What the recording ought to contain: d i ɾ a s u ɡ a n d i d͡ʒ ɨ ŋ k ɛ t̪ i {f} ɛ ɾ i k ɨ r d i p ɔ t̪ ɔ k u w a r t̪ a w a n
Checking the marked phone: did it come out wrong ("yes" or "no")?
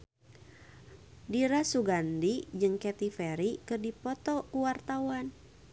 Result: no